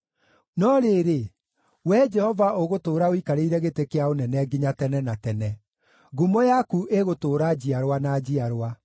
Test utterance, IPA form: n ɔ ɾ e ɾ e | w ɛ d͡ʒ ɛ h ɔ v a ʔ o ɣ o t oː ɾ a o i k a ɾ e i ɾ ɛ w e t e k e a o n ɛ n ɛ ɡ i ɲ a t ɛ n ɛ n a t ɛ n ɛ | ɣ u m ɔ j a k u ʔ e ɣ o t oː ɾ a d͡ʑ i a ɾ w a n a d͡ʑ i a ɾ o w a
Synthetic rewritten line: n ɔ ɾ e ɾ e | w ɛ d͡ʒ ɛ h ɔ v a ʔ o ɣ o t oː ɾ a o i k a ɾ e i ɾ ɛ ɣ e t e k e a o n ɛ n ɛ ɡ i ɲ a t ɛ n ɛ n a t ɛ n ɛ | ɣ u m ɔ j a k u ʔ e ɣ o t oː ɾ a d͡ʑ i a ɾ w a n a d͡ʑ i a ɾ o w a

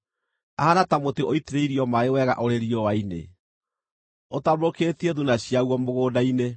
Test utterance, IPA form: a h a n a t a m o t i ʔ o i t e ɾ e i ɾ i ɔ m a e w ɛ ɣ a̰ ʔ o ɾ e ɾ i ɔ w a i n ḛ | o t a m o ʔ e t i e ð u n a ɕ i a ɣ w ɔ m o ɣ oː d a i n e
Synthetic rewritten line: a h a n a t a m o t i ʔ o i t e ɾ e i ɾ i ɔ m a e w ɛ ɣ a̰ ʔ o ɾ e ɾ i ɔ w a i n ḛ | o t a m o k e t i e ð u n a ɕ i a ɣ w ɔ m o ɣ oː d a i n e

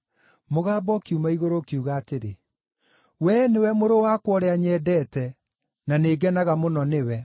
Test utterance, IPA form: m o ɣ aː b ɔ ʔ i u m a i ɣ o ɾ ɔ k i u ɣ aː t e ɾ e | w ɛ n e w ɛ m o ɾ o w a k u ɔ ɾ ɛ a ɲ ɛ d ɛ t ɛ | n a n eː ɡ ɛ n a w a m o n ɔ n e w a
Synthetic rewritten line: m o ɣ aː b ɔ k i u m a i ɣ o ɾ o k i u ɣ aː t e ɾ e | w ɛ n e w ɛ m o ɾ o w a k w ɔ ɾ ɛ a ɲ ɛ d ɛ t ɛ | n a n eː ɡ ɛ n a ɣ a m o n ɔ n e w ɛ

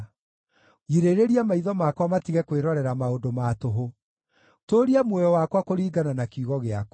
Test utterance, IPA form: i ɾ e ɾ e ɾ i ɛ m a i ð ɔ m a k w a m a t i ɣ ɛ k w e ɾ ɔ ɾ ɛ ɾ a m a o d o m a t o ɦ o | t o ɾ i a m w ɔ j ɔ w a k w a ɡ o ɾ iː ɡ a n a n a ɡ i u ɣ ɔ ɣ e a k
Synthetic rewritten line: i ɾ e ɾ e ɾ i a m a i ð ɔ m a k w a m a t i ɣ ɛ k w e ɾ ɔ ɾ ɛ ɾ a m a o d o m a t o ɦ o | t o ɾ i a m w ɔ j ɔ w a k w a k o ɾ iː ɡ a n a n a k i u ɣ ɔ ɣ e a k

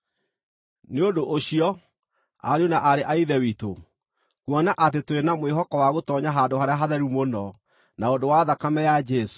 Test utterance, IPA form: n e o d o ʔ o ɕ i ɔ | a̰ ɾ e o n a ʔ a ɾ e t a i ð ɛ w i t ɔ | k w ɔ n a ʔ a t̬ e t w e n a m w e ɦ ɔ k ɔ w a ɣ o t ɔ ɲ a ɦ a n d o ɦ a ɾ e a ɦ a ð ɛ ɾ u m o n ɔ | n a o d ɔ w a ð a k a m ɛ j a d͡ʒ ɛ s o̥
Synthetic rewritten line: n e o d o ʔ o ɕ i ɔ | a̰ ɾ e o n a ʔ a ɾ e ʔ a i ð ɛ w i t o | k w ɔ n a ʔ a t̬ e t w e n a m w e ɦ ɔ k ɔ w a ɣ o t ɔ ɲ a ɦ a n d o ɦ a ɾ e a ɦ a ð ɛ ɾ u m o n ɔ | n a o d o w a ð a k a m ɛ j a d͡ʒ ɛ s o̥

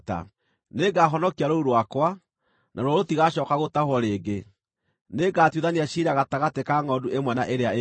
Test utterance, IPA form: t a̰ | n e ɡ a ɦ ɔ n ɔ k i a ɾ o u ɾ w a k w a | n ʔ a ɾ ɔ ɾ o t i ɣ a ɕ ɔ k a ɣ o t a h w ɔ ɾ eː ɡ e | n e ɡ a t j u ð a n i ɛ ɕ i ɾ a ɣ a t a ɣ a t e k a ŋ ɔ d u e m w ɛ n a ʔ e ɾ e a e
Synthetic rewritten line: t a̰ | n e ɡ a ɦ ɔ n ɔ k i a ɾ o u ɾ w a k w a | n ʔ a ɾ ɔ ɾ o t i ɣ a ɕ ɔ k a ɣ o t a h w ɔ ɾ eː ɡ e | n e ɡ a t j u ð a n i a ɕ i ɾ a ɣ a t a ɣ a t e k a ŋ ɔ d u e m w ɛ n a ʔ e ɾ e a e

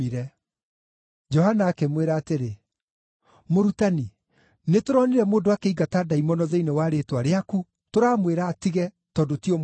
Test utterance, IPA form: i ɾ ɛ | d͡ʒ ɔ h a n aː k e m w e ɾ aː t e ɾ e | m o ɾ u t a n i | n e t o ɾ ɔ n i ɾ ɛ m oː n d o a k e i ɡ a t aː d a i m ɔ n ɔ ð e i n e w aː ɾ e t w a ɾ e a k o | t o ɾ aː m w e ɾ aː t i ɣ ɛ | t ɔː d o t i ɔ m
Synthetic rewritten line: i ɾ ɛ | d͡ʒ ɔ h a n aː k e m w e ɾ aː t e ɾ e | m o ɾ u t a n i | n e t o ɾ ɔ n i ɾ ɛ m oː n d o a k e i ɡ a t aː d a i m ɔ n ɔ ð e i n e w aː ɾ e t w a ɾ e a k u | t o ɾ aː m w e ɾ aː t i ɣ ɛ | t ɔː d o t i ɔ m

